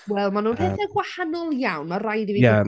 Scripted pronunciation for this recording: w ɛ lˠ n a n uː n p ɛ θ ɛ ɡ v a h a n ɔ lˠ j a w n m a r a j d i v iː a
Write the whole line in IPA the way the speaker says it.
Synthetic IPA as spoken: w ɛ lˠ m a n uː n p ɛ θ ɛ ɡ w a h a n ɔ lˠ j a w n m a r a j d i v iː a